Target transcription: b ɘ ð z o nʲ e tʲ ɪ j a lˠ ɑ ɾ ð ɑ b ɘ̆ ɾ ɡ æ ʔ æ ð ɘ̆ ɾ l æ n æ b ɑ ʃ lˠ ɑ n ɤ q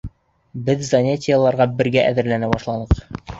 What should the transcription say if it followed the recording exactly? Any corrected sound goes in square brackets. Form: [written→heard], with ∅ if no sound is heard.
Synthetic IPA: b ɘ ð z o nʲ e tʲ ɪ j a lˠ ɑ ɾ [ð→ʁ] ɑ b ɘ̆ ɾ ɡ æ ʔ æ ð ɘ̆ ɾ l æ n æ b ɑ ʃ lˠ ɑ n ɤ q